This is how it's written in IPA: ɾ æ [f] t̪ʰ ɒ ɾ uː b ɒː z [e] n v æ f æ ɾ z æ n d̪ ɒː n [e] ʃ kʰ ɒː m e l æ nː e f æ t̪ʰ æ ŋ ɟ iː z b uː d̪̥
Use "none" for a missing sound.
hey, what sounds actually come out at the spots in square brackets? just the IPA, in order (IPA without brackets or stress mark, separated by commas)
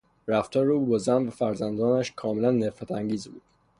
f, æ, æ